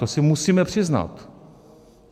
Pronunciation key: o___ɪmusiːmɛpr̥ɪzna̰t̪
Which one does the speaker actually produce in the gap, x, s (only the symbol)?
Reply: s